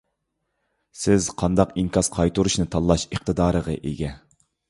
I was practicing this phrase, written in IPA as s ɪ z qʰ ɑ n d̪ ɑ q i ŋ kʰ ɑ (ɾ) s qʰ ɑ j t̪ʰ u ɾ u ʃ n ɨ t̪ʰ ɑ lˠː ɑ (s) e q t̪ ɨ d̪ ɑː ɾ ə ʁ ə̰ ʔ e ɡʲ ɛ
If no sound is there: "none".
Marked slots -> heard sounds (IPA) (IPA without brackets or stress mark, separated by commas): none, ʃ